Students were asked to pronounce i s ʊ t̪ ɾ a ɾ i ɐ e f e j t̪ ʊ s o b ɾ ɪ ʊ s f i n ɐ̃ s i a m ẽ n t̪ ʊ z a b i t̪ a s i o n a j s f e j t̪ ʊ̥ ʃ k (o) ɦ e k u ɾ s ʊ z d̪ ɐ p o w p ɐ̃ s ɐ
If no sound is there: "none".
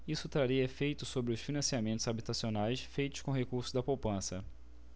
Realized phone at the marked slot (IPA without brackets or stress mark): õ